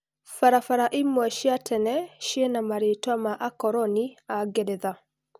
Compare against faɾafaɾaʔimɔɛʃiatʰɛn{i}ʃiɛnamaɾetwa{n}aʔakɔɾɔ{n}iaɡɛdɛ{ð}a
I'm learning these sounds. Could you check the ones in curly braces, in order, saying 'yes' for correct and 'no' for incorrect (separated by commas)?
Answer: no, no, yes, yes